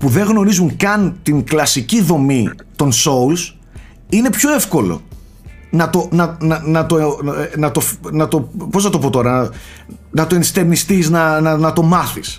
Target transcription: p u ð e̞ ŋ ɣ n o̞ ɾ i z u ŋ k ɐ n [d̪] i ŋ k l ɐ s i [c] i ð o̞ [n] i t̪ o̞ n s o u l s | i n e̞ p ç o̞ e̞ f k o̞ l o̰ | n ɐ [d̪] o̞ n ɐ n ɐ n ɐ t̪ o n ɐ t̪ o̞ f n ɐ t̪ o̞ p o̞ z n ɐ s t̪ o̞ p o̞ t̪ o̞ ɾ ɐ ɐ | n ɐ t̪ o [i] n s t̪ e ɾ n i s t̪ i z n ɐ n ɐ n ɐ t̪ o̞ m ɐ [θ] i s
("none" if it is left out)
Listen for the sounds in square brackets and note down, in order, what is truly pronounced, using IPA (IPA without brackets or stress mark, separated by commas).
t̪, c, m, t̪, e, θ